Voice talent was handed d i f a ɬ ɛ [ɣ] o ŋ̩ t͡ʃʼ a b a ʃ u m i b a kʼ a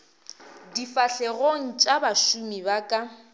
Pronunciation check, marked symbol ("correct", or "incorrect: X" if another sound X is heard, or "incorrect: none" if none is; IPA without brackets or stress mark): correct